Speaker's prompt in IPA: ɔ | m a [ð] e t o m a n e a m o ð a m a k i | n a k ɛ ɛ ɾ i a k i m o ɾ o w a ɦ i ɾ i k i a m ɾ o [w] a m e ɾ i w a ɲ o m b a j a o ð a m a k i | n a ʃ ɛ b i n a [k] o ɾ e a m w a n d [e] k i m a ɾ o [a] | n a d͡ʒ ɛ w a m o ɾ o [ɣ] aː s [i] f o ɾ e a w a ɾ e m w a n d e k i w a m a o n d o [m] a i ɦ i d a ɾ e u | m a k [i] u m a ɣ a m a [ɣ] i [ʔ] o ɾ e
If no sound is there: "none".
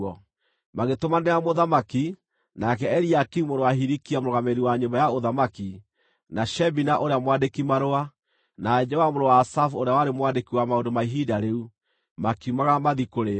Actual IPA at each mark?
ɣ, ɣ, ʔ, e, a, w, a, m, i, ð, k

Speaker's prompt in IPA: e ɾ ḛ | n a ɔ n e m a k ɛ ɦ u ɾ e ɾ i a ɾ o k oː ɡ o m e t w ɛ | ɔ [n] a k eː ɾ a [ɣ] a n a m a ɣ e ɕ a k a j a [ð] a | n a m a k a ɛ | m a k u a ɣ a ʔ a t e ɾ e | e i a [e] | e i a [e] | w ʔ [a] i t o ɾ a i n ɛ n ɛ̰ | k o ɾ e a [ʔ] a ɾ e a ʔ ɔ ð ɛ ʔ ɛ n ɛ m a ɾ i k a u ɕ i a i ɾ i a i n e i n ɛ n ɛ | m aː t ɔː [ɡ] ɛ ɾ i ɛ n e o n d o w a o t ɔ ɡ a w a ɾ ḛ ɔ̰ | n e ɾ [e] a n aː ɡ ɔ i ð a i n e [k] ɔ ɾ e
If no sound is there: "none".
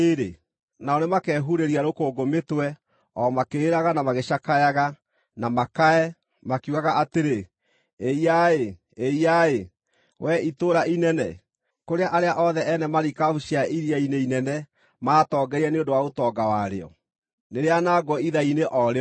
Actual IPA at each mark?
m, ɣ, ɣ, e, e, ɛ, ʔ, ɡ, e, ʔ

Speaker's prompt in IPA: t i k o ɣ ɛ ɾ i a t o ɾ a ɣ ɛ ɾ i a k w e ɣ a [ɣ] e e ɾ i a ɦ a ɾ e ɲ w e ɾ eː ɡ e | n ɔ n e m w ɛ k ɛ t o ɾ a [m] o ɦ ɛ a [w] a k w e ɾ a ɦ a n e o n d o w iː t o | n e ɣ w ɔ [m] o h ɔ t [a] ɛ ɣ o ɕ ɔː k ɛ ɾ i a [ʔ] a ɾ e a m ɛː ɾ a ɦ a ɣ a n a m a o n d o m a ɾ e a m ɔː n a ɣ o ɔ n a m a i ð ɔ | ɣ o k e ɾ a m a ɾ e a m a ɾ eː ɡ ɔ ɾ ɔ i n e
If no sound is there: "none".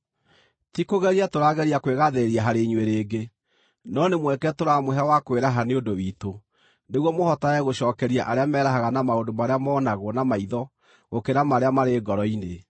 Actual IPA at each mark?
ð, m, w, m, a, ʔ

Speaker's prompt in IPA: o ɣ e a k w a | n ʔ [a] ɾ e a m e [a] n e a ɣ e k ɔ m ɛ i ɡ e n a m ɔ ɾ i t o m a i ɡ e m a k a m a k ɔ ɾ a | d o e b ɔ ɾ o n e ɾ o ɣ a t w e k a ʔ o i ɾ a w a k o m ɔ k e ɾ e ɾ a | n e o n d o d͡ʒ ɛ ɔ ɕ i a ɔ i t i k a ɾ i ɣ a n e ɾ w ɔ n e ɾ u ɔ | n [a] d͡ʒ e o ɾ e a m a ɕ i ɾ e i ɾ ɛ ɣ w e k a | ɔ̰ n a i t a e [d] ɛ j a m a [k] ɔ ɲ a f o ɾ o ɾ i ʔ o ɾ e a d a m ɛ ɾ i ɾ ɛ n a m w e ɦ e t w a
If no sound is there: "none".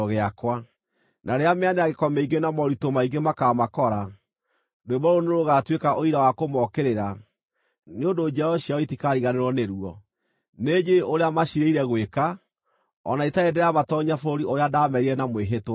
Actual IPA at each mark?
a, a, e, d, t

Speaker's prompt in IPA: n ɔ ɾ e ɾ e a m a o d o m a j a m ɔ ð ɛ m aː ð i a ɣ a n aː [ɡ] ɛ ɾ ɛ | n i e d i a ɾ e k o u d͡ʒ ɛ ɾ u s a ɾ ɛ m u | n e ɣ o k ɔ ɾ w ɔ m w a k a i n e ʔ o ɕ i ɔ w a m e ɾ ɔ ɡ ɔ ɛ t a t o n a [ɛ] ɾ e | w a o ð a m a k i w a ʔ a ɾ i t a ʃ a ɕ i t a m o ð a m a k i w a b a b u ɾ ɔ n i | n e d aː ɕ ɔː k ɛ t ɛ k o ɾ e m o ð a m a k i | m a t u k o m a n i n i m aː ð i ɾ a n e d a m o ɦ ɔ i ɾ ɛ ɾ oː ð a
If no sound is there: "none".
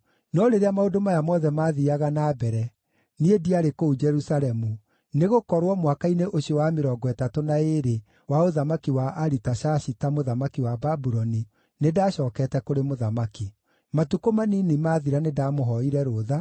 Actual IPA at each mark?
b, e

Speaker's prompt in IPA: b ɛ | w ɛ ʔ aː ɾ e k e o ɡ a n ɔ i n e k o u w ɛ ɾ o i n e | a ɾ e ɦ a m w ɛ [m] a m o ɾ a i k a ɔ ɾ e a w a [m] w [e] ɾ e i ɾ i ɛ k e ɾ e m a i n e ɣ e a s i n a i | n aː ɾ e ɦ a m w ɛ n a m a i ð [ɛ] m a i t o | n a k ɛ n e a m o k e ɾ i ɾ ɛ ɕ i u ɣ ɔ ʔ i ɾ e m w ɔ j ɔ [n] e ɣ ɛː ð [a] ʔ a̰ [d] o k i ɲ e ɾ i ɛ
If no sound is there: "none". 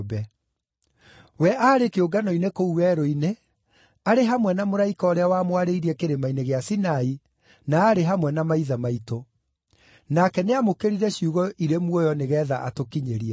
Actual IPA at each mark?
n, m, a, a, n, a, t

